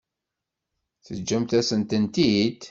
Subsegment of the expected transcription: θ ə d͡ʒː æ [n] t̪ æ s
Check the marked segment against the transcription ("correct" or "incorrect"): incorrect